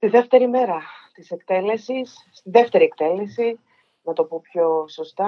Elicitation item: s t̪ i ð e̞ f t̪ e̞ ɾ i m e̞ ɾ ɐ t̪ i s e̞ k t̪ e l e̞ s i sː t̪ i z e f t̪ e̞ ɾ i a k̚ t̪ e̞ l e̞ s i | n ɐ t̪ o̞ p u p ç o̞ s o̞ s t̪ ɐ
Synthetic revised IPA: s t̪ i ð e̞ f t̪ e̞ ɾ i m e̞ ɾ ɐ t̪ i s e̞ k t̪ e l e̞ s i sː t̪ i ð e f t̪ e̞ ɾ i e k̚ t̪ e̞ l e̞ s i | n ɐ t̪ o̞ p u p ç o̞ s o̞ s t̪ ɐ